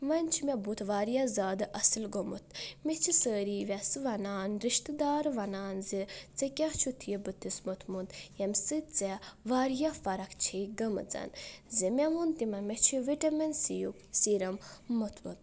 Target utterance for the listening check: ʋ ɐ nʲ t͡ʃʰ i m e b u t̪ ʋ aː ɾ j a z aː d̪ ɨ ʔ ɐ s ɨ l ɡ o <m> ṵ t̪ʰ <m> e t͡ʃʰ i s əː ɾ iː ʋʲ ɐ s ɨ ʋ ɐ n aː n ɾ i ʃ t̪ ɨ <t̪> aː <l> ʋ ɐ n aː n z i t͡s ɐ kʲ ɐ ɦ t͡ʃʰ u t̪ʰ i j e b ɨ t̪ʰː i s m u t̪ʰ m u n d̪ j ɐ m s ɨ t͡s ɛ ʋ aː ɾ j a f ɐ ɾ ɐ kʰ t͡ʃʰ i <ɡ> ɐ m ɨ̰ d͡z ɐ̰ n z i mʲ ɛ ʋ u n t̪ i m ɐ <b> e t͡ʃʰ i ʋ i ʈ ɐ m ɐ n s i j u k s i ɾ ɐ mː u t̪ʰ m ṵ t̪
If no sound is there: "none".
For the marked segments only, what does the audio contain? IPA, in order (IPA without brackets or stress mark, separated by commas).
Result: m, m, d̪, ɾ, ɡ, m